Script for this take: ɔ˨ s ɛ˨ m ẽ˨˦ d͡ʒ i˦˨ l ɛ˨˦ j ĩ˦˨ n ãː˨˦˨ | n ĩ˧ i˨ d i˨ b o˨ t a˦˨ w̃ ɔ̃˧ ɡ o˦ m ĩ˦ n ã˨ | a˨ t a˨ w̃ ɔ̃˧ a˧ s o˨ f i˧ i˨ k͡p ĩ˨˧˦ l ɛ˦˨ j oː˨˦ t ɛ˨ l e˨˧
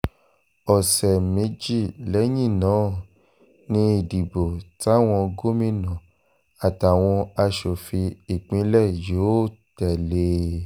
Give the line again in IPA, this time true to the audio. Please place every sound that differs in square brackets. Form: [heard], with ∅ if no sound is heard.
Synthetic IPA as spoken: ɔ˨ s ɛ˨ m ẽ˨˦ d͡ʒ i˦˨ l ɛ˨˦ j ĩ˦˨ n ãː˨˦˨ | n ĩ˧ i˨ d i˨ b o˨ t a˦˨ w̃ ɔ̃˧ ɡ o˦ m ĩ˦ n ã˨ | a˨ t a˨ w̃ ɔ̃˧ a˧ [ʃ] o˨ f i˧ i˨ k͡p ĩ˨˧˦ l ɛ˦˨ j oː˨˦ t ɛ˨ l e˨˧